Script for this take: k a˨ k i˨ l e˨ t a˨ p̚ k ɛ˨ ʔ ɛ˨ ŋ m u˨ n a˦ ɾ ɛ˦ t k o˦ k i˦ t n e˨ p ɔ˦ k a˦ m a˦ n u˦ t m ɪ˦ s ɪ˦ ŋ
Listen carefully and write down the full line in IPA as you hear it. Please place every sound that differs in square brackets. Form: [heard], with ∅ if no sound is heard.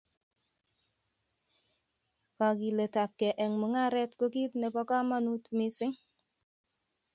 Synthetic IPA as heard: k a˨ k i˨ l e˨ t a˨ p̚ k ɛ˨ ʔ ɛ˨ ŋ m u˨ [ŋ] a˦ ɾ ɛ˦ t k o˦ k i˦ t n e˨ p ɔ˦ k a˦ m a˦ n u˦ t m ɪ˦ s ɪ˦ ŋ

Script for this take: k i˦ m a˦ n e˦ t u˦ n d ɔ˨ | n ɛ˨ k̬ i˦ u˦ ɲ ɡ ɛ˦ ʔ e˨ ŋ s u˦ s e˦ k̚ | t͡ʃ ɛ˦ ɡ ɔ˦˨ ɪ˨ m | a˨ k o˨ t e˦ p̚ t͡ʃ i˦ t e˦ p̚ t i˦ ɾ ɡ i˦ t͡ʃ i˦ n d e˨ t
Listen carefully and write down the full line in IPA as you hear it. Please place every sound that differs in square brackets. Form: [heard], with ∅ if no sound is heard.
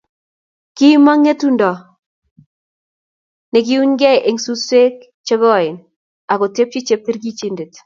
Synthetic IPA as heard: k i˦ m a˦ [ŋ] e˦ t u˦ n d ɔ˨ | n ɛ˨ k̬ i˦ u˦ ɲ ɡ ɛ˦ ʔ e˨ ŋ s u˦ s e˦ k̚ | t͡ʃ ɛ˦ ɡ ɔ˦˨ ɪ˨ [n] | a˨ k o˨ t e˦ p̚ t͡ʃ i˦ [t͡ʃ] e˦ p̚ t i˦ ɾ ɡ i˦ t͡ʃ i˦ n d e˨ t

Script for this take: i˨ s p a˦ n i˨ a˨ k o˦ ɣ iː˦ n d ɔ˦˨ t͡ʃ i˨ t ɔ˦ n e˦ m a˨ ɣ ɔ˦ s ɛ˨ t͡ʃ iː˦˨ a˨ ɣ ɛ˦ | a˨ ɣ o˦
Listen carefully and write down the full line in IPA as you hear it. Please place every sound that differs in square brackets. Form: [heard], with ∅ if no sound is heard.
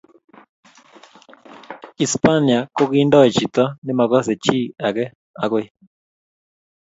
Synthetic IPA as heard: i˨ s p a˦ n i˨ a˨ k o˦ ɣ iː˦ n d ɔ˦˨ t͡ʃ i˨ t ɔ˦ n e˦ m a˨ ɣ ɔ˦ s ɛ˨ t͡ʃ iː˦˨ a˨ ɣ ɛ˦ | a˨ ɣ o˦

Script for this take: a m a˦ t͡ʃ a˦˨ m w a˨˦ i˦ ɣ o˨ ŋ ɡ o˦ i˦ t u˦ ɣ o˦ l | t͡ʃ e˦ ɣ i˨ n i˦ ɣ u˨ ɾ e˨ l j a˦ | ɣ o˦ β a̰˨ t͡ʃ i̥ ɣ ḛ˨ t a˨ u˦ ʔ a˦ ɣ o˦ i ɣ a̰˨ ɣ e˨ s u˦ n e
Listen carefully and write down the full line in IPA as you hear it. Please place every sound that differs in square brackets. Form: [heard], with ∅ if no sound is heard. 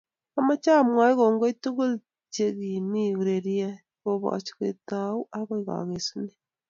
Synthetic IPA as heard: a m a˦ t͡ʃ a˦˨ m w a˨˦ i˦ ɣ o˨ ŋ ɡ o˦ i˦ t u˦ ɣ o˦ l | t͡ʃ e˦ ɣ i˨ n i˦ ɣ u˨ ɾ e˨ [ɾ] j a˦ | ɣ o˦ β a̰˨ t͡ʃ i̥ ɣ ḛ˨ t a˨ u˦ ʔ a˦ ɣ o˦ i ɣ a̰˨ ɣ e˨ s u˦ n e

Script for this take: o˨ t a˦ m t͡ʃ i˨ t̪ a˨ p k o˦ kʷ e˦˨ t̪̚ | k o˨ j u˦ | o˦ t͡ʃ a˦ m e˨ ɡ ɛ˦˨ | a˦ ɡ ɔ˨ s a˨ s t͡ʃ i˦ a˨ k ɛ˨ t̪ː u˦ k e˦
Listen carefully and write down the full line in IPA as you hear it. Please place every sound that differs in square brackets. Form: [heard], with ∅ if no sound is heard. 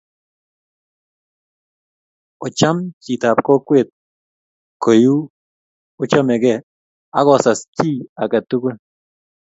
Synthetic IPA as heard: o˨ [t͡ʃ] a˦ m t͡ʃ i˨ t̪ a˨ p k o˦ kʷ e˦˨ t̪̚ | k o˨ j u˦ | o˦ t͡ʃ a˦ m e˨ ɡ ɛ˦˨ | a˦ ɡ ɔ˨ s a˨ s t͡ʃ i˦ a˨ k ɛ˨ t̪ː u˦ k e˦

